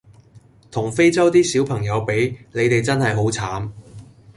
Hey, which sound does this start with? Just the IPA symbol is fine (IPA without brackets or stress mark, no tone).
t̪ʰ